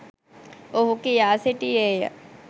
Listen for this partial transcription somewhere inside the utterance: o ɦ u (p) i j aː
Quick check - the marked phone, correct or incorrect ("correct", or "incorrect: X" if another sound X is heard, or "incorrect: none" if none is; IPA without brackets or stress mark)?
incorrect: k